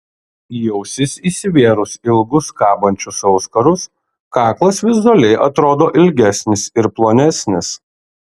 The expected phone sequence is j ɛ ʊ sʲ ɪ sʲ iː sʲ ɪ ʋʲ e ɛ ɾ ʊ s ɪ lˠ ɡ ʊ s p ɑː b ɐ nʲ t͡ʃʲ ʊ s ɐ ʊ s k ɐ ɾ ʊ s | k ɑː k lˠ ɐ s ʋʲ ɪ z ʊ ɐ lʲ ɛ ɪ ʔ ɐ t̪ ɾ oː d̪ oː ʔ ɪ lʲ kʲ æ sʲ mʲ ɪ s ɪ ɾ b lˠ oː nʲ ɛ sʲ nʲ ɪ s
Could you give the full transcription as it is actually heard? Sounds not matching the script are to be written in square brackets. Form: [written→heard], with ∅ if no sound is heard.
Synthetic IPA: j ɛ ʊ sʲ ɪ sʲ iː sʲ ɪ ʋʲ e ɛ ɾ ʊ s ɪ lˠ ɡ ʊ s [p→k] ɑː b ɐ nʲ t͡ʃʲ ʊ s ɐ ʊ s k ɐ ɾ ʊ s | k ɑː k lˠ ɐ s ʋʲ ɪ z ʊ ɐ lʲ ɛ ɪ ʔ ɐ t̪ ɾ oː d̪ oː ʔ ɪ lʲ [kʲ→ɡʲ] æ sʲ [mʲ→nʲ] ɪ s ɪ ɾ [b→p] lˠ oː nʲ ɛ sʲ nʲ ɪ s